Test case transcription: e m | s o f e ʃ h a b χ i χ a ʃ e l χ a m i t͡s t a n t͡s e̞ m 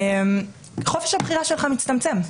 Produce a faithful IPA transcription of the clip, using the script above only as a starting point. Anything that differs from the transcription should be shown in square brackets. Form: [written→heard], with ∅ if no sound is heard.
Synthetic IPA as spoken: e m | [s→χ] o f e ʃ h a b χ i [χ→ʁ] a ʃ e l χ a m i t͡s t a [n→m] t͡s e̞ m

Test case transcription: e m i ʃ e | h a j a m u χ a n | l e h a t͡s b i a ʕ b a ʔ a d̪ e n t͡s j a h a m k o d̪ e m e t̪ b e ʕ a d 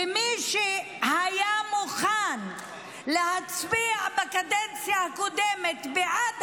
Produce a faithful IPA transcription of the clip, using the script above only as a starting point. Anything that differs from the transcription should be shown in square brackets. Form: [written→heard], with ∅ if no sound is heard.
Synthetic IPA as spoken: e m i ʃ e | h a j a m u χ a n | l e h a t͡s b i a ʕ b a [ʔ→k] a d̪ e n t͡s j a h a [m→∅] k o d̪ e m e t̪ b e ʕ a d

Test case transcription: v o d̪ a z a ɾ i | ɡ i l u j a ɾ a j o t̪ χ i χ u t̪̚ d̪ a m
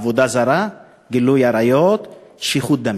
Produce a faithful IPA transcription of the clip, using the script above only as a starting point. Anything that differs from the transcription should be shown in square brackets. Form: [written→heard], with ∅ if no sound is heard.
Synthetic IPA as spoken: v o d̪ a z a ɾ [i→a] | ɡ i l u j a ɾ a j o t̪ [χ→ʃ] i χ u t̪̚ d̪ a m

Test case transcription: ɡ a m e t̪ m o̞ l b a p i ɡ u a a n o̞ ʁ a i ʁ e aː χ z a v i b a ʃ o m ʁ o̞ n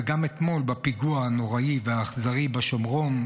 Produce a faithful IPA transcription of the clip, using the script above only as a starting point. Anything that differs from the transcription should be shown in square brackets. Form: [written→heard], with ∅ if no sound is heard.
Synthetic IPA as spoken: ɡ a m e t̪ m o̞ l b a p i ɡ u a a n o̞ ʁ a i [ʁ→v] e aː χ z a [v→ʁ] i b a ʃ o m ʁ o̞ n

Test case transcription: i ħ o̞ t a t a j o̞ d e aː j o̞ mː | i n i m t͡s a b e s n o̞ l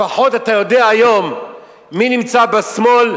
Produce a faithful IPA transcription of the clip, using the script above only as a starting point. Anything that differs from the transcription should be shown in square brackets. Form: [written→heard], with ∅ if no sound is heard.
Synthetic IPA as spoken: [i→a] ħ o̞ t a t a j o̞ d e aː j o̞ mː | i n i m t͡s a b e s [n→m] o̞ l

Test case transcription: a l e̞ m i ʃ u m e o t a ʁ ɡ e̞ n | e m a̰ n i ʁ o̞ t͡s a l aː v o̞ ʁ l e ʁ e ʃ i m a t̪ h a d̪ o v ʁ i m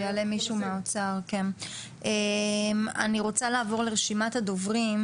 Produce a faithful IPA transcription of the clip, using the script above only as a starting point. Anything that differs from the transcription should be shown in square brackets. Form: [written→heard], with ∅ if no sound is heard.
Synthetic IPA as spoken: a l e̞ m i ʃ u m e o [t→t͡s] a ʁ [ɡ→k] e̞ n | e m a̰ n i ʁ o̞ t͡s a l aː v o̞ ʁ l e ʁ e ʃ i m a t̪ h a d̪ o v ʁ i m

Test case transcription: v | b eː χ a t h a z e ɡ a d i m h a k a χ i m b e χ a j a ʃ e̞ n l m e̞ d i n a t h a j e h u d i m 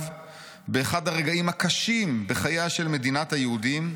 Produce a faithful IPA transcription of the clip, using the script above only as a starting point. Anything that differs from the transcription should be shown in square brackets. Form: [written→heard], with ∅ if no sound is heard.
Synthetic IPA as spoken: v | b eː χ a [t→d] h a [z→ʁ] e ɡ a [d→∅] i m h a k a [χ→ʃ] i m b e χ a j a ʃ e̞ [n→∅] l m e̞ d i n a t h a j e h u d i m

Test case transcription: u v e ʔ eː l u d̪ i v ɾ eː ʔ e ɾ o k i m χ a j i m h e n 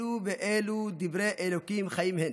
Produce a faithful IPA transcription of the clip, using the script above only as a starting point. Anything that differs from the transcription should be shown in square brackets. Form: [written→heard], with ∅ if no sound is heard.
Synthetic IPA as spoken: u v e ʔ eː l u d̪ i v ɾ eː ʔ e [ɾ→l] o k i m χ a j i m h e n

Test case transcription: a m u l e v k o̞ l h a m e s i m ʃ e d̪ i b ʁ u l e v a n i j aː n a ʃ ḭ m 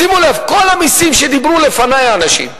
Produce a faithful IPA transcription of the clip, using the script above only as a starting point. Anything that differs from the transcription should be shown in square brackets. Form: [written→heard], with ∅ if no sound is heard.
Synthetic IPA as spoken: [a→i] m u l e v k o̞ l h a m [e→i] s i m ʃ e d̪ i b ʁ u l e [v→f] a n [i→a] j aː n a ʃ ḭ m

